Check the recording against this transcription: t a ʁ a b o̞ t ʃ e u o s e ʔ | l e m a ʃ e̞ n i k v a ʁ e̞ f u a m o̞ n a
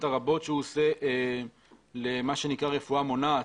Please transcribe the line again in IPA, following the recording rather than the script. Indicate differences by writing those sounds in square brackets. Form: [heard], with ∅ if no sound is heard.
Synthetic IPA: t a ʁ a b o̞ t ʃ e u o s e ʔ | l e m a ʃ e̞ n i k [ʁ] a ʁ e̞ f u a m o̞ n a